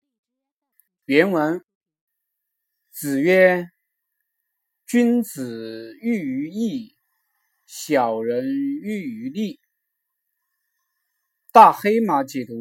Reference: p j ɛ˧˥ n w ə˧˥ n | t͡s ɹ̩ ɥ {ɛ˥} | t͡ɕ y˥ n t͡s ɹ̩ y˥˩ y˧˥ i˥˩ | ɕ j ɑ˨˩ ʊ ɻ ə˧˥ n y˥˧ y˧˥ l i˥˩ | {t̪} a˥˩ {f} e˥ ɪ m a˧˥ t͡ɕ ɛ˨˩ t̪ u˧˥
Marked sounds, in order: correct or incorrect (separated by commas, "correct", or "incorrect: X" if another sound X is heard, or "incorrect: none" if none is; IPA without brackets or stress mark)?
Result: correct, correct, incorrect: x